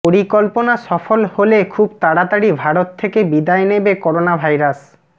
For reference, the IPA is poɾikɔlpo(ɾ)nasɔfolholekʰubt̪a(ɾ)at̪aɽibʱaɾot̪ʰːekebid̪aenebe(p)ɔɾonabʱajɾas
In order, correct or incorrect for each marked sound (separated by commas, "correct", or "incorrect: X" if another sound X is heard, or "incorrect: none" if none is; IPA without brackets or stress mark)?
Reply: incorrect: none, incorrect: ɽ, incorrect: k